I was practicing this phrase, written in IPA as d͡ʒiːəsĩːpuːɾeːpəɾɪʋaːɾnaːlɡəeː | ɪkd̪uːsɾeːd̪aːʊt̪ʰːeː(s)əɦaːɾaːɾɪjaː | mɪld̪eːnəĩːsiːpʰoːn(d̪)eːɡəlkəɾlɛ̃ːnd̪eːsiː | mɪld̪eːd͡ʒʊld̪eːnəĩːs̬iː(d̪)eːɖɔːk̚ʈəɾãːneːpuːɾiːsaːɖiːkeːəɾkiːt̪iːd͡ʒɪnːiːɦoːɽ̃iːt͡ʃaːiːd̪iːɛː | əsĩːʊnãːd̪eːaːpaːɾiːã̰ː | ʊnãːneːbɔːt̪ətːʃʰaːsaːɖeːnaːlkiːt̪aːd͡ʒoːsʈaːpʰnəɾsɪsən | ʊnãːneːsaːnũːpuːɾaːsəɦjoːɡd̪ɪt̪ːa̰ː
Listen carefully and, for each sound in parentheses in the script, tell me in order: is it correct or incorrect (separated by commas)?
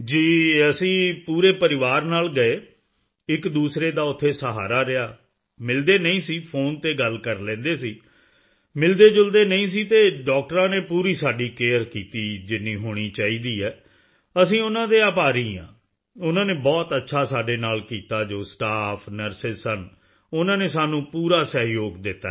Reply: correct, incorrect, incorrect